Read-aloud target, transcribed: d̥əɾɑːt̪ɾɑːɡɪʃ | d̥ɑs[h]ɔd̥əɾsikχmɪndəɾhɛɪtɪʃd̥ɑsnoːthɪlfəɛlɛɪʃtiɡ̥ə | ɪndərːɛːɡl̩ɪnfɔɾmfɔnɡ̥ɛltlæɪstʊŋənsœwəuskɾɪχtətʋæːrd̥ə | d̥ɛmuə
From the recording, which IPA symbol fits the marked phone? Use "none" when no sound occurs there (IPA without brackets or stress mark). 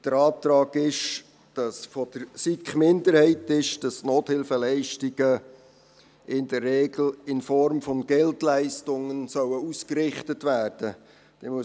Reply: f